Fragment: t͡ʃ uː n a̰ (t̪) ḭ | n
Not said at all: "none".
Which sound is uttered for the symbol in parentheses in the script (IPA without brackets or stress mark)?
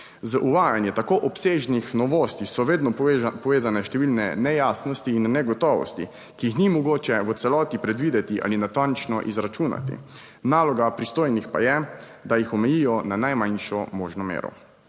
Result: t̪